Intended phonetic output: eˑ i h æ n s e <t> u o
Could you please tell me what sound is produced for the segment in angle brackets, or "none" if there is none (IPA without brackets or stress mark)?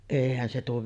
t